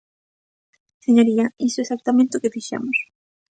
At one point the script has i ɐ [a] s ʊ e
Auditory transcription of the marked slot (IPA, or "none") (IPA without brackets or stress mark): i